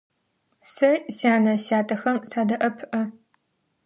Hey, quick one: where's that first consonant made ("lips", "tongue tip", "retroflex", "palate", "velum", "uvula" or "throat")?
tongue tip